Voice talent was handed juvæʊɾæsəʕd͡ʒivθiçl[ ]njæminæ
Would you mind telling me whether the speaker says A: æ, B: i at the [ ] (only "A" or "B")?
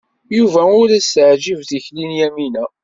B